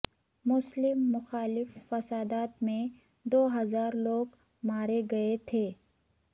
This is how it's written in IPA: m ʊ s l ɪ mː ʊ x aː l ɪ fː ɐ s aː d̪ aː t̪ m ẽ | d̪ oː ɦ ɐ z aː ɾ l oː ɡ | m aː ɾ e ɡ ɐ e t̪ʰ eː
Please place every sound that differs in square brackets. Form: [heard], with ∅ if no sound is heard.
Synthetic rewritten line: m ʊ s l ɪ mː ʊ x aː l ɪ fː ɐ s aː d̪ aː t̪ m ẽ | d̪ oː ɦ ɐ z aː ɾ l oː ɡ | m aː ɾ e ɡ ɐ e t̪ʰ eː